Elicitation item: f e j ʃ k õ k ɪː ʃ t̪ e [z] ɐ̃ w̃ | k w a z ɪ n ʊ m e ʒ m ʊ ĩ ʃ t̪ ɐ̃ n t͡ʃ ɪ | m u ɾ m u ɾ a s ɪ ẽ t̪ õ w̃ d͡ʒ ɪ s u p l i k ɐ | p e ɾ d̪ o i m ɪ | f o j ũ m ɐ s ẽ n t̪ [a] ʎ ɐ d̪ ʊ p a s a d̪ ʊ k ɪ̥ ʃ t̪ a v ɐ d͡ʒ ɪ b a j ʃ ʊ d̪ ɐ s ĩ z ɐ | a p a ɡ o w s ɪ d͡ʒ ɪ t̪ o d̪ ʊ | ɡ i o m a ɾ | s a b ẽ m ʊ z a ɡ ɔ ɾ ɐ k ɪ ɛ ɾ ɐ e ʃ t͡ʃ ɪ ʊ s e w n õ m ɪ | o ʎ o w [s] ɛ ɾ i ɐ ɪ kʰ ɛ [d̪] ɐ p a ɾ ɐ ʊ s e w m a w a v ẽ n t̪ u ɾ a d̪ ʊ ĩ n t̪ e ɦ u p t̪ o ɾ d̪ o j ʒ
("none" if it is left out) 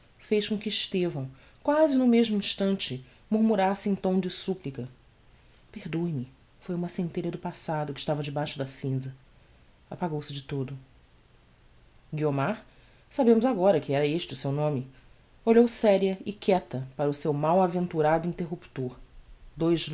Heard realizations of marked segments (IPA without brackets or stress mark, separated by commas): v, e, s, t̪